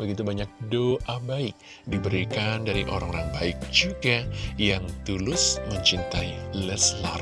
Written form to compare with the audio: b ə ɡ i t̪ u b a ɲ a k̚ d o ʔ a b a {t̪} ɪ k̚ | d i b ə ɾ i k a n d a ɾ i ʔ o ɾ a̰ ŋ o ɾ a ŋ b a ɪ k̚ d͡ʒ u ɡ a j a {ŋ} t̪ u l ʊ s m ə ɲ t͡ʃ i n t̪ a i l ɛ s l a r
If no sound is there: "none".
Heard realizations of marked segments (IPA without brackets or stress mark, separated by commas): none, ŋ